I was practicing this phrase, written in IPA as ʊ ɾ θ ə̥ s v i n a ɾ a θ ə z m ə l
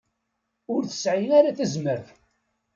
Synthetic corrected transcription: ʊ ɾ θ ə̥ s ʕ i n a ɾ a θ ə z m ə ɾ